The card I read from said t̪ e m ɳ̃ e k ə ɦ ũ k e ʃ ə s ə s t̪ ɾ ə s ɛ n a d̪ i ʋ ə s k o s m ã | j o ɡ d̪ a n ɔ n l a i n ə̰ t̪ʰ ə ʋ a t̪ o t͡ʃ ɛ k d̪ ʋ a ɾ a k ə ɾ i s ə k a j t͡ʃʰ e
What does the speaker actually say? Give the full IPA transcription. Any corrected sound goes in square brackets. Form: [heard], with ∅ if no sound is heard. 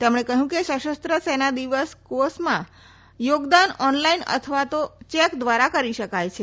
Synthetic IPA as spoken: t̪ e m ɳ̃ e k ə ɦ ũ k e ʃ ə [ʃ] ə s t̪ ɾ ə s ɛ n a d̪ i ʋ ə s k o s m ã | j o ɡ d̪ a n ɔ n l a i n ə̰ t̪ʰ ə ʋ a t̪ o t͡ʃ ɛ k d̪ ʋ a ɾ a k ə ɾ i [ʃ] ə k a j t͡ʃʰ e

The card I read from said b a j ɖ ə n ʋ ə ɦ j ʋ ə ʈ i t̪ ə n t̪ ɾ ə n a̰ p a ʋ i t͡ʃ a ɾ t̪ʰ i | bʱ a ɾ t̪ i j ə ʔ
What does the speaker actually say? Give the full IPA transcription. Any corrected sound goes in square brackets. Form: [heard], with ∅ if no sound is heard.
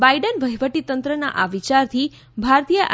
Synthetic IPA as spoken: b a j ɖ ə n ʋ ə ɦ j ʋ ə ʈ i t̪ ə n t̪ ɾ ə n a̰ [ʔ] a ʋ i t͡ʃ a ɾ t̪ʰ i | bʱ a ɾ t̪ i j ə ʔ

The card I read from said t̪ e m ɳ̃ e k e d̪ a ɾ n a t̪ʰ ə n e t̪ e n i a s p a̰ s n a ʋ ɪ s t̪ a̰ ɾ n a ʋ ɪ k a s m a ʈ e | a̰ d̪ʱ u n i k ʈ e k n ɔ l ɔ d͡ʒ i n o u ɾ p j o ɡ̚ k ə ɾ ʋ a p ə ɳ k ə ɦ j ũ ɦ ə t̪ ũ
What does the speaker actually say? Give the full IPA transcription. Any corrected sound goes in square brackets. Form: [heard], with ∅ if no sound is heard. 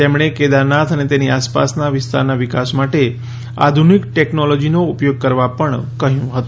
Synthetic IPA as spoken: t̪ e m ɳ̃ e k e d̪ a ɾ n a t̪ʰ ə n e t̪ e n i a s p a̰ s n a ʋ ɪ s t̪ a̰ ɾ n a ʋ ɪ k a s m a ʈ e | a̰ d̪ʱ u n i k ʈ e k n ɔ l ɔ d͡ʒ i n o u [∅] p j o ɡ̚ k ə ɾ ʋ a p ə ɳ k ə ɦ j ũ ɦ ə t̪ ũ

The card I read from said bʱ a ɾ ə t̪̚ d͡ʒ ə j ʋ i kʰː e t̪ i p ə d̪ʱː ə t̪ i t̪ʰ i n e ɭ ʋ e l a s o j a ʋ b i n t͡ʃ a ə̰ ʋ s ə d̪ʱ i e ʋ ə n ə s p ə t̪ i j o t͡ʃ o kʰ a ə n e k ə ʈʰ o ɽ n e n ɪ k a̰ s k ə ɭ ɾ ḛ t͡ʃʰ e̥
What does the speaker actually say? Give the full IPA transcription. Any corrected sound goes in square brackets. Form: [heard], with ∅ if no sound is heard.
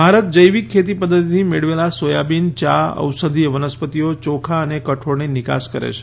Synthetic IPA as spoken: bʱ a ɾ ə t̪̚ d͡ʒ ə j ʋ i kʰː e t̪ i p ə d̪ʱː ə t̪ i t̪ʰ i [m] e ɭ ʋ e l a s o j a [∅] b i n t͡ʃ a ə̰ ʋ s ə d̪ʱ i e ʋ ə n ə s p ə t̪ i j o t͡ʃ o kʰ a ə n e k ə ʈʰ o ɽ n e n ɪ k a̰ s k ə [∅] ɾ ḛ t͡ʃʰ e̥

